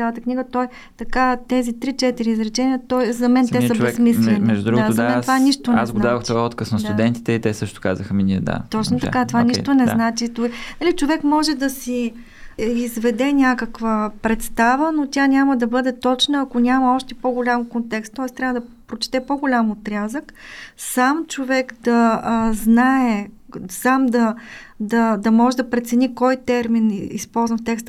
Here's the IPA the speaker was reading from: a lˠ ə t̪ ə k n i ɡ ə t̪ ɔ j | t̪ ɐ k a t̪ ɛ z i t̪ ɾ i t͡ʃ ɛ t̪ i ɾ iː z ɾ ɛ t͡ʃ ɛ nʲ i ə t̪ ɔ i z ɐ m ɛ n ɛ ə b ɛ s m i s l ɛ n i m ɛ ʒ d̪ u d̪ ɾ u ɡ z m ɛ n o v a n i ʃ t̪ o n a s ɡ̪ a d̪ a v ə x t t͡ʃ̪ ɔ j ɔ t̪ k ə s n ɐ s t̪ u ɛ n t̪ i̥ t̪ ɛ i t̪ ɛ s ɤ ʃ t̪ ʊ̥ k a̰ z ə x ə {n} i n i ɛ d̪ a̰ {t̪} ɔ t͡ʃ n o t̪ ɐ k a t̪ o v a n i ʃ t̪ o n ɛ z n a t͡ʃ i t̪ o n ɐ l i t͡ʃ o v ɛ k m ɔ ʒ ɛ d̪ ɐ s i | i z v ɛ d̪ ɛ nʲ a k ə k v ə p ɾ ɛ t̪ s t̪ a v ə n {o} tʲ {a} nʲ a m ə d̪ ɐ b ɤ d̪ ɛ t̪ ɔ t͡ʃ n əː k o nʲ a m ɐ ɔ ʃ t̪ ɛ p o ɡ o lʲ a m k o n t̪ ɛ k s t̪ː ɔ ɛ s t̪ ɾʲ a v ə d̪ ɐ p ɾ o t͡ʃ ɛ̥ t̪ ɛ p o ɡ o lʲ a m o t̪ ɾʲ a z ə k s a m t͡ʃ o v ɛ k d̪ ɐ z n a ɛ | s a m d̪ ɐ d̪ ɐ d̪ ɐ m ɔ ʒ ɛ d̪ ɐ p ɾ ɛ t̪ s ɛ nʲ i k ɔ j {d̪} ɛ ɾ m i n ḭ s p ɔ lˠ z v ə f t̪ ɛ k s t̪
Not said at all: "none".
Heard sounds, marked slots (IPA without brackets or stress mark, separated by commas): m, t̪, o, a, t̪